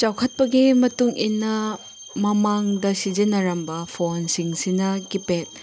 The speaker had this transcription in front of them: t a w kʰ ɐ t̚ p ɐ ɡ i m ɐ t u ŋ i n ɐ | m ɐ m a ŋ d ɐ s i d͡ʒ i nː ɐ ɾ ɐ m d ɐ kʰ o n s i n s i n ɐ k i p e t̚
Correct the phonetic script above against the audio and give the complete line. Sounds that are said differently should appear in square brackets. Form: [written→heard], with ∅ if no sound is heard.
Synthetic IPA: [t→t͡ʃ] a w kʰ ɐ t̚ p ɐ ɡ i m ɐ t u ŋ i n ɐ | m ɐ m a ŋ d ɐ s i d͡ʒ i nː ɐ ɾ ɐ m [d→b] ɐ [kʰ→pʰ] o n s i [n→ŋ] s i n ɐ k i p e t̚

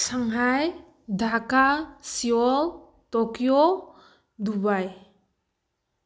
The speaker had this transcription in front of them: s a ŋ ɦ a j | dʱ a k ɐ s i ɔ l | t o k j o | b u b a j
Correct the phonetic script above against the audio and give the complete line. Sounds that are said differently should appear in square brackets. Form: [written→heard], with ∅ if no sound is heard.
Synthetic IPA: s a ŋ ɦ a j | dʱ a k [ɐ→a] s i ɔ l | t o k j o | [b→d] u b a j

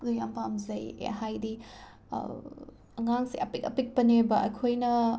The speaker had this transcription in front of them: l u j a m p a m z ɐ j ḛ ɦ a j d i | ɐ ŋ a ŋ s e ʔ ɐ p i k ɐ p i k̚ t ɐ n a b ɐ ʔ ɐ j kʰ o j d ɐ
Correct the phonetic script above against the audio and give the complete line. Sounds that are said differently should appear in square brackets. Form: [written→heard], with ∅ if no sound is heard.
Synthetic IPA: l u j a m p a m z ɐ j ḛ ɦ a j d i | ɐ ŋ a ŋ s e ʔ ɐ p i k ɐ p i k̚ [t→p] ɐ n [a→e] b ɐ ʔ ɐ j kʰ o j [d→n] ɐ

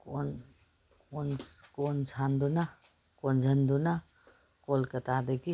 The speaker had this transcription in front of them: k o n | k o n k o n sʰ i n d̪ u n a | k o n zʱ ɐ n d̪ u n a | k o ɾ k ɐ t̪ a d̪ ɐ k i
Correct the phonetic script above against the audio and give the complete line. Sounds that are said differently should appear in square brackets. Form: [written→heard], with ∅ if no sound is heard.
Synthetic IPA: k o n | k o n k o n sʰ [i→a] n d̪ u n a | k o n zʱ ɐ n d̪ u n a | k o [ɾ→l] k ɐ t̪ a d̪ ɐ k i

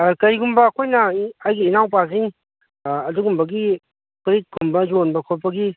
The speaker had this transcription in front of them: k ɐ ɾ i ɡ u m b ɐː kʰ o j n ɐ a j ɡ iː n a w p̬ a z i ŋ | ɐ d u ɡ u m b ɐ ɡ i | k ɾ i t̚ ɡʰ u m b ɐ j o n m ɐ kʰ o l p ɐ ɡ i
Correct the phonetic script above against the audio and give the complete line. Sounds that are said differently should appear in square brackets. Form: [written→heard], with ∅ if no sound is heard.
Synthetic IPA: k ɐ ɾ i ɡ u m b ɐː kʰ o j n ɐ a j ɡ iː n a w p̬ a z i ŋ | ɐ d u ɡ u m b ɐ ɡ i | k ɾ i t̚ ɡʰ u m b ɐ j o n [m→b] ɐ kʰ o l p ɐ ɡ i

